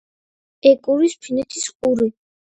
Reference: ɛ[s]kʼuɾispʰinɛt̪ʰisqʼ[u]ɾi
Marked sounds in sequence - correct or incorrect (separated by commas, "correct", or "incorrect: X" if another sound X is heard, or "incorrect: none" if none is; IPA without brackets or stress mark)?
incorrect: none, correct